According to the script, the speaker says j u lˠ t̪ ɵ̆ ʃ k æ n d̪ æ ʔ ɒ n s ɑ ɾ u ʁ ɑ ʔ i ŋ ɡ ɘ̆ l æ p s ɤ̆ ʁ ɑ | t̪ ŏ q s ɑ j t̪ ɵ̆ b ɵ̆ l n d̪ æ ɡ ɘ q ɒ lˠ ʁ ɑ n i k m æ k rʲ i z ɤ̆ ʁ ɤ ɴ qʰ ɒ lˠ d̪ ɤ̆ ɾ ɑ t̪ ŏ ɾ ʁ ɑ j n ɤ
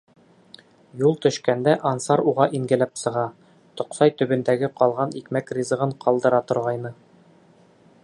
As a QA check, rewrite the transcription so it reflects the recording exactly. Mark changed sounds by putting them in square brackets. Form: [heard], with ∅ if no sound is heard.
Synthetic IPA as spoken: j u lˠ t̪ ɵ̆ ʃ k æ n d̪ æ ʔ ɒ n s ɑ ɾ u ʁ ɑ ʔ i ŋ ɡ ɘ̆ l æ p s ɤ̆ ʁ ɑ | t̪ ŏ q s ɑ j t̪ ɵ̆ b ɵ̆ [∅] n d̪ æ ɡ ɘ q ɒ lˠ ʁ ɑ n i k m æ k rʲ i z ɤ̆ ʁ ɤ ɴ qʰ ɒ lˠ d̪ ɤ̆ ɾ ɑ t̪ ŏ ɾ ʁ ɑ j n ɤ